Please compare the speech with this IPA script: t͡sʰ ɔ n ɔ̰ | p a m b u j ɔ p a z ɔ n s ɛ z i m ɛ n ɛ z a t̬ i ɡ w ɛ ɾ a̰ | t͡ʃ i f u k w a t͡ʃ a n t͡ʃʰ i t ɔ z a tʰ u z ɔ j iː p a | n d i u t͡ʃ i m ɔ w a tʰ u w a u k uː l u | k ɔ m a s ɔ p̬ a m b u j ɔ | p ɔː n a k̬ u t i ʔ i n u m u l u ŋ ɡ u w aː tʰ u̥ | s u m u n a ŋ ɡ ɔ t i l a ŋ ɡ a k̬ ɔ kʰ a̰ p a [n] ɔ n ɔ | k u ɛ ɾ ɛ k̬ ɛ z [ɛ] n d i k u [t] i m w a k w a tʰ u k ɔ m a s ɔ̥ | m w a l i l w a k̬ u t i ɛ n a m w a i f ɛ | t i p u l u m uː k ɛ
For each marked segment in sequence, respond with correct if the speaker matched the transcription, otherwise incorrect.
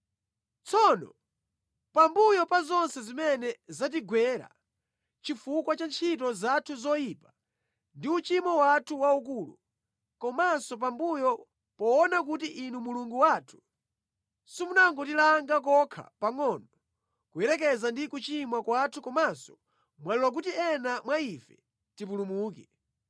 incorrect, incorrect, incorrect

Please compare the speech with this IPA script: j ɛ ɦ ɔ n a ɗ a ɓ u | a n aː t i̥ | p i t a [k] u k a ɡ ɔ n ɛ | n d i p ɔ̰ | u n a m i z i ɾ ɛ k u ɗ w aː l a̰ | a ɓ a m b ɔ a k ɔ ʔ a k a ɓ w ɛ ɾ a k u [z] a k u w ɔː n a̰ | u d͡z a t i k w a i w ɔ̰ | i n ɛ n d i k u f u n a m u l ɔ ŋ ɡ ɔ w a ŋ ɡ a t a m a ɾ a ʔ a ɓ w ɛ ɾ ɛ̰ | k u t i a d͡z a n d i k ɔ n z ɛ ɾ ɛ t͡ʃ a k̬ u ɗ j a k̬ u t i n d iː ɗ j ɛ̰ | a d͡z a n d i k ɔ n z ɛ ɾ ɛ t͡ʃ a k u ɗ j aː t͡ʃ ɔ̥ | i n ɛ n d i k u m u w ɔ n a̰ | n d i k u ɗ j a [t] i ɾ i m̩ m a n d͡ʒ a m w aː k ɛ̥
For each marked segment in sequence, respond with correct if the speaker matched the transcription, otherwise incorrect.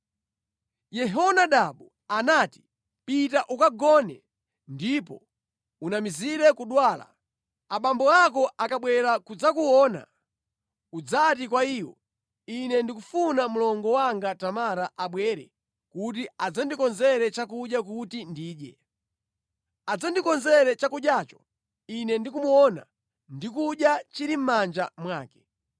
incorrect, incorrect, incorrect

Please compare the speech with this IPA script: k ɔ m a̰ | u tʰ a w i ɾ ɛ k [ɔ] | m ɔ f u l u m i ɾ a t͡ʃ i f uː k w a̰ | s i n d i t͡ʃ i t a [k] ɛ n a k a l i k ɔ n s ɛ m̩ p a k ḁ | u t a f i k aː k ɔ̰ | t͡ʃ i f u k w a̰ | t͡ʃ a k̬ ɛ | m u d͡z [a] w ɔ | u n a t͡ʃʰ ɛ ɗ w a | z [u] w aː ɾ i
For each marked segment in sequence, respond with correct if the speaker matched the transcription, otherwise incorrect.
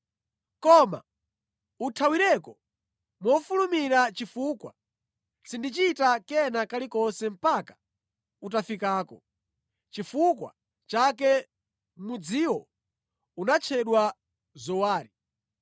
correct, correct, incorrect, incorrect

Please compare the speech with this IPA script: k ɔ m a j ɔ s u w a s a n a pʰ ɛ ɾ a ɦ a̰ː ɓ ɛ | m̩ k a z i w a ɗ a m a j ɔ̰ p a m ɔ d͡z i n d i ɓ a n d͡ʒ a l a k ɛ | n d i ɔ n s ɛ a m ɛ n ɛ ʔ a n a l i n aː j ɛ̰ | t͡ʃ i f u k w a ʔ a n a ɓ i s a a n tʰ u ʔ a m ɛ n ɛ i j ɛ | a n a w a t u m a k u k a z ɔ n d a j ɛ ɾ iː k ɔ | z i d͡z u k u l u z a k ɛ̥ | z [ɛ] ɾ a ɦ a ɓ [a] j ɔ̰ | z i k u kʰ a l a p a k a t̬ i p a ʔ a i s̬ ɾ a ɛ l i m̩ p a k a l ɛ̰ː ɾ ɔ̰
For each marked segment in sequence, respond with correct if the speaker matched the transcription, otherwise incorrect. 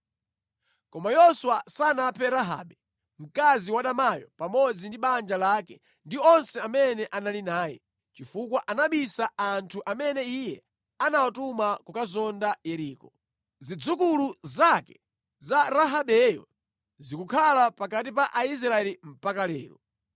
incorrect, incorrect

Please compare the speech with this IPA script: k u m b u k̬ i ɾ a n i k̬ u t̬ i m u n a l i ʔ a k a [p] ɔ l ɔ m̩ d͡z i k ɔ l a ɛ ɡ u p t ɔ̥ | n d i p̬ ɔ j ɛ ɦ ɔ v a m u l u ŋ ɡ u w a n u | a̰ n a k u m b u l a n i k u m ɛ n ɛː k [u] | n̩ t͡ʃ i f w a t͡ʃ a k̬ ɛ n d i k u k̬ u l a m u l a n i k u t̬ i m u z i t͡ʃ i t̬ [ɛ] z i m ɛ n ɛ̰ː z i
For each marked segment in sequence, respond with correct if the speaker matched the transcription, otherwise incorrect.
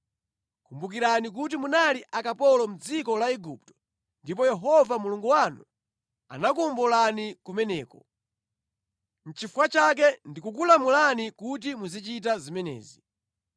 correct, incorrect, incorrect

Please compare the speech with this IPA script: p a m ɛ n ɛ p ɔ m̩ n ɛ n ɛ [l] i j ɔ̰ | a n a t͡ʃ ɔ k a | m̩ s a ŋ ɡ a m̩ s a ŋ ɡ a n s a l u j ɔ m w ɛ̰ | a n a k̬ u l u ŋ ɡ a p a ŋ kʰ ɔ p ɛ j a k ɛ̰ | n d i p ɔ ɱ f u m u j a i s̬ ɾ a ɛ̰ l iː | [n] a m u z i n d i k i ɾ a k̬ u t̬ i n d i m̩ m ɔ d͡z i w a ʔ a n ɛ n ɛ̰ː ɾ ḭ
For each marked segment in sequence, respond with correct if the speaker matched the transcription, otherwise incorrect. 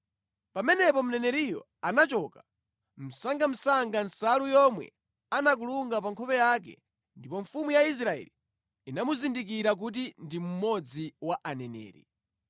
incorrect, correct

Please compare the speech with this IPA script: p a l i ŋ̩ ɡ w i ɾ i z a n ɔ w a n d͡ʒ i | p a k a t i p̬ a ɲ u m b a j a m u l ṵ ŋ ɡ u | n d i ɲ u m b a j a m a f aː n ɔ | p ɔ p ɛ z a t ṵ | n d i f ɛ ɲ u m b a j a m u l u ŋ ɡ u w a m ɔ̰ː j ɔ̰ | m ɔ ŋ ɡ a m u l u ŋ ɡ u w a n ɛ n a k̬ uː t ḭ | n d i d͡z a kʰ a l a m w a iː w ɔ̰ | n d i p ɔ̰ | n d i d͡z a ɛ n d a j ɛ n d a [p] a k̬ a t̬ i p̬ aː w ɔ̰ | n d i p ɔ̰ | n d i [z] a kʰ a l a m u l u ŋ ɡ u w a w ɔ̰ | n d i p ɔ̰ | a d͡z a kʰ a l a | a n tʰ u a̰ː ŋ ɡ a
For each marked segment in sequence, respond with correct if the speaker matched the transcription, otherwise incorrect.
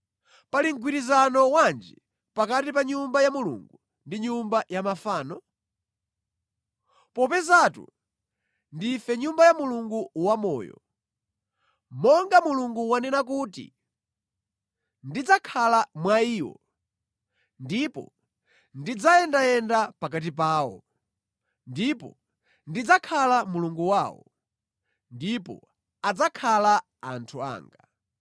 correct, incorrect

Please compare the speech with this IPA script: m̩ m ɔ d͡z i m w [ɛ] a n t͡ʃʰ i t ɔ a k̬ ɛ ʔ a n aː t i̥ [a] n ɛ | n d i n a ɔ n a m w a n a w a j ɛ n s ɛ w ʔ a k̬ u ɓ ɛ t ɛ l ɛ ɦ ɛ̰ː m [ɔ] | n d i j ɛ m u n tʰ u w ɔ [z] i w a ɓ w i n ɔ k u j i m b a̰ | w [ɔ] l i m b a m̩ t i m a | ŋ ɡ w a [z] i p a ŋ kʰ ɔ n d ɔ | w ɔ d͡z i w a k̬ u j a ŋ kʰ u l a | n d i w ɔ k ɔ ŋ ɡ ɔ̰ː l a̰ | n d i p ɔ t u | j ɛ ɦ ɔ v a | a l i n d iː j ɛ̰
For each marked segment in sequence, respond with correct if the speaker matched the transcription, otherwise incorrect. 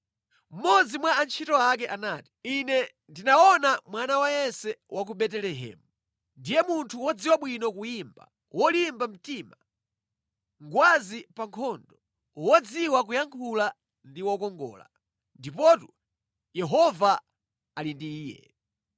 incorrect, incorrect, incorrect, incorrect, correct, correct

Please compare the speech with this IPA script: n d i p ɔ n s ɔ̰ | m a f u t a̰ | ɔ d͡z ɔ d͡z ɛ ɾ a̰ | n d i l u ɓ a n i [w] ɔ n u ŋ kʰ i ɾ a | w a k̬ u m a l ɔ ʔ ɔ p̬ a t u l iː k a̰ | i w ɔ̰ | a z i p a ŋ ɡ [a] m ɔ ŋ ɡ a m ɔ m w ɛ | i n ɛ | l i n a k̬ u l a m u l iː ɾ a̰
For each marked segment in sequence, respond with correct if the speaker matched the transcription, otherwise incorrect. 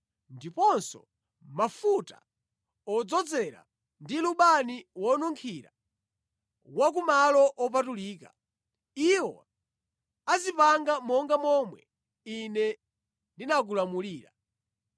correct, correct

